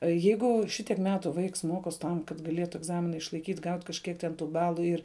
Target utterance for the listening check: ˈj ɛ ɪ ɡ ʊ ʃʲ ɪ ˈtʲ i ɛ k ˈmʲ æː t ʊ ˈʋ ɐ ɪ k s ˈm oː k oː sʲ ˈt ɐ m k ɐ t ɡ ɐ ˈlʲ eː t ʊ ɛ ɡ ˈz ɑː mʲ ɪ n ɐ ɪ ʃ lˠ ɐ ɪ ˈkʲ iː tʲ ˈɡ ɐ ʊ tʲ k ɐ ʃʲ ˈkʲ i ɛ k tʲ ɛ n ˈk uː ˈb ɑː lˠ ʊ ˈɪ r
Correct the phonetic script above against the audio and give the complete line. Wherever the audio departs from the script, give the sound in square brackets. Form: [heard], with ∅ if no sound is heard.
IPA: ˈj ɛ ɪ ɡ ʊ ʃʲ ɪ ˈtʲ i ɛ k ˈmʲ æː t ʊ ˈʋ ɐ ɪ k s ˈm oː k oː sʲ ˈt ɐ m k ɐ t ɡ ɐ ˈlʲ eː t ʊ ɛ ɡ ˈz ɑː mʲ ɪ n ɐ ɪ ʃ lˠ ɐ ɪ ˈkʲ iː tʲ ˈɡ ɐ ʊ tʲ k ɐ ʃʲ ˈkʲ i ɛ k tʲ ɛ n [ˈt] uː ˈb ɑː lˠ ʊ ˈɪ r